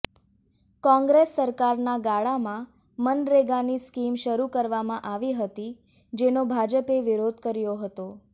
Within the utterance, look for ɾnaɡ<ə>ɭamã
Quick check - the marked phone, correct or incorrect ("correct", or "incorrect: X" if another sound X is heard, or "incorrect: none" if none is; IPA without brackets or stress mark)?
incorrect: a